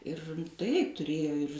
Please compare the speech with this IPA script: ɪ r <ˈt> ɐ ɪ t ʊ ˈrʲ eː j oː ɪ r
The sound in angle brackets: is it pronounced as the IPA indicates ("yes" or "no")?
yes